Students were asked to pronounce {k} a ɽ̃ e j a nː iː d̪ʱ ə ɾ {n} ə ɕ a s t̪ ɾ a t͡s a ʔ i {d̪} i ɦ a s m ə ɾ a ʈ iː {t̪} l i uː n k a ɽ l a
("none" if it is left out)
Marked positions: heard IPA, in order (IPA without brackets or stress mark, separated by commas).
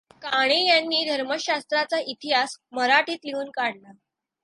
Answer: k, m, t̪, t̪